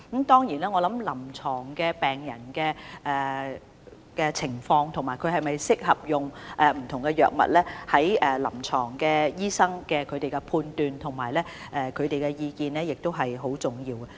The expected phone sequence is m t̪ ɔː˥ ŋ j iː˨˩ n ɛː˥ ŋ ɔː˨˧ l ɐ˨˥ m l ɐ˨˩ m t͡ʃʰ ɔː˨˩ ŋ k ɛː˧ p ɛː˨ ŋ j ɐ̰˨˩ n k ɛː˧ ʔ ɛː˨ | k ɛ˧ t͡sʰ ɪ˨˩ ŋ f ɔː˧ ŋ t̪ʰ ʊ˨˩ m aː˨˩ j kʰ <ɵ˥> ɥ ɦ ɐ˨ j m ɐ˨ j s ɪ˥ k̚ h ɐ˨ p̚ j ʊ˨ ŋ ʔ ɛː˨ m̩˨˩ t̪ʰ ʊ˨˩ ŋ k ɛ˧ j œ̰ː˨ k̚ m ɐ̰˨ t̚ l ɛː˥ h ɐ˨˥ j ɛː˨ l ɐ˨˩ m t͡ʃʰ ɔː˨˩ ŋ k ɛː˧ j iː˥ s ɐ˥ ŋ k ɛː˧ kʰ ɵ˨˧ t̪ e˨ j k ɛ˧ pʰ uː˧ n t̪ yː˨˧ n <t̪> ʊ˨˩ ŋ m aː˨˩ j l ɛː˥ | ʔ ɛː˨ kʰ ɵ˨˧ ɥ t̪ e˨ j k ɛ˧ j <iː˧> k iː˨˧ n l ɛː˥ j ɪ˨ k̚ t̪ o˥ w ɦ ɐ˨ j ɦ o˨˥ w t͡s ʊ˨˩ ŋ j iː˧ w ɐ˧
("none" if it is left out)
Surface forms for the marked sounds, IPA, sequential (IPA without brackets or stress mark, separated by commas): ɵ˨˧, t̪ʰ, iː˧